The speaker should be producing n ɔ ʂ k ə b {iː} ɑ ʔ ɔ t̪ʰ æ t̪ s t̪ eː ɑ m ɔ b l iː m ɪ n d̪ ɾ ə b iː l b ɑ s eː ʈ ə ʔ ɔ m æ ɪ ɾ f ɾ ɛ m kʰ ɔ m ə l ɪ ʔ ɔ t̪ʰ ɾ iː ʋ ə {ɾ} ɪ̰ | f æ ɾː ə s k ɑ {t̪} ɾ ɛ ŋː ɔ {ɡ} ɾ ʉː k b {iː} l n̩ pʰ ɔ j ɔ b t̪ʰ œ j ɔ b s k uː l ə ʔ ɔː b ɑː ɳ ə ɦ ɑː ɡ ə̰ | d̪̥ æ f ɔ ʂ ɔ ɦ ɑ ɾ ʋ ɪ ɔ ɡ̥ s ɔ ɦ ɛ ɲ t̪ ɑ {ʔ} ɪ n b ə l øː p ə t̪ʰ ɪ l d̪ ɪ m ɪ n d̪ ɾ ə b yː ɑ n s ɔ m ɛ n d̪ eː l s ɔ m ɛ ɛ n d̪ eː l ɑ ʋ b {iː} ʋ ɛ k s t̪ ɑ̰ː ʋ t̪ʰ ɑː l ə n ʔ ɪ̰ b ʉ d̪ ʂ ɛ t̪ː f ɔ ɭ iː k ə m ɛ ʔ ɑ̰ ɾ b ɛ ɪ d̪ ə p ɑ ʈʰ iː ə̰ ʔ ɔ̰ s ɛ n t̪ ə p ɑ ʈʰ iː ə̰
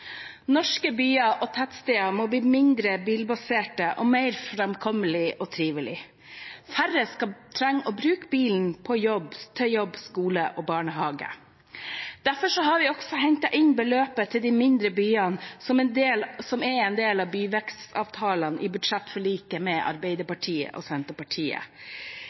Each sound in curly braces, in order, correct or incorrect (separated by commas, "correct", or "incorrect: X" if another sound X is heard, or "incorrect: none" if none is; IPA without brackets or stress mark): incorrect: yː, incorrect: l, incorrect: t̪ʰ, incorrect: b, correct, correct, incorrect: yː